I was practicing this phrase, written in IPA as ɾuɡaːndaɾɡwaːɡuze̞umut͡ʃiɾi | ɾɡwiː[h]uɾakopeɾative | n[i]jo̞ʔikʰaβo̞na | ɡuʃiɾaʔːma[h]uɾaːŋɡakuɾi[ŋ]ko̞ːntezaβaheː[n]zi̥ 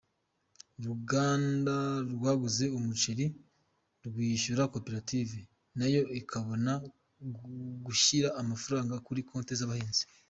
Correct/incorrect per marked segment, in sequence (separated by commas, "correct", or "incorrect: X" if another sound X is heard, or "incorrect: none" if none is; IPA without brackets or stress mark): incorrect: ʃ, incorrect: a, incorrect: f, incorrect: none, correct